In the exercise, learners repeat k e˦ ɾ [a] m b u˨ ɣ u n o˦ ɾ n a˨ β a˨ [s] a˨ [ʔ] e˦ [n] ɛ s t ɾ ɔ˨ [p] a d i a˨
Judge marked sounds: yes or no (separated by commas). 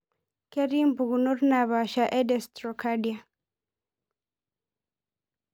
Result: no, no, yes, no, no